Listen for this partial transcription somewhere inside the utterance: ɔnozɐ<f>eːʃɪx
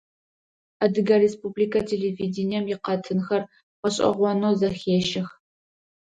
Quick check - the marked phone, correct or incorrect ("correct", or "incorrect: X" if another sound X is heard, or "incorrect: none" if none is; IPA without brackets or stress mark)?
incorrect: x